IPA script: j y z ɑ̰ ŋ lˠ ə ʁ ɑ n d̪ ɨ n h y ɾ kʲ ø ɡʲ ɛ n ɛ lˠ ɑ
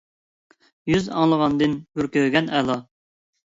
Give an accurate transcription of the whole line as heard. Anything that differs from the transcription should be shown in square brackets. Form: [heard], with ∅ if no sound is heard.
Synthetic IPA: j y z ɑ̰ ŋ lˠ ə ʁ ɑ n d̪ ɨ n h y ɾ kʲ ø ɡʲ ɛ n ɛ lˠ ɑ